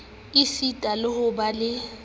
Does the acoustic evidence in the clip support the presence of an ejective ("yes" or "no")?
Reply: yes